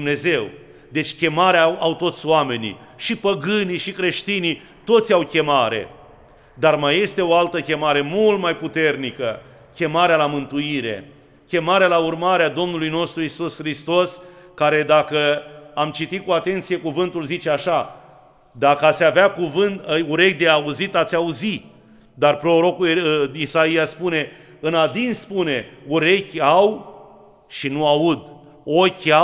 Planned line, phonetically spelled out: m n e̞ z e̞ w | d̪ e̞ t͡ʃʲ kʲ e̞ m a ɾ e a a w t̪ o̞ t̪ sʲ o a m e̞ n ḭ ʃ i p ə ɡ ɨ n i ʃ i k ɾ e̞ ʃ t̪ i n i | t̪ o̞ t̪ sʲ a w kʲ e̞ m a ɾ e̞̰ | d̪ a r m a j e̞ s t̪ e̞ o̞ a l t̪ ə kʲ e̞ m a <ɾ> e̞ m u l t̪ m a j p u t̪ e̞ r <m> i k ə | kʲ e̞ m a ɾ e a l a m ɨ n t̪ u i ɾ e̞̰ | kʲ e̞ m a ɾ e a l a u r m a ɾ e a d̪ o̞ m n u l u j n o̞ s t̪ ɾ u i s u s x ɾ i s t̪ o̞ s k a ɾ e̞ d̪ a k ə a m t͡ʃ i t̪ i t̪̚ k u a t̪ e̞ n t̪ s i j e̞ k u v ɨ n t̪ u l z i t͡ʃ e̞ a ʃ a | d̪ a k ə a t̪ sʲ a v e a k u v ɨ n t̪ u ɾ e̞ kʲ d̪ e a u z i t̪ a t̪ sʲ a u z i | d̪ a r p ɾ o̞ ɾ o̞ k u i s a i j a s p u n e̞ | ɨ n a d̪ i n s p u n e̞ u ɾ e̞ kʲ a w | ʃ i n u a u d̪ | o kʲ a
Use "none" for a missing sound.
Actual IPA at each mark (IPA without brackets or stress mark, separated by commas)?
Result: ɾ, n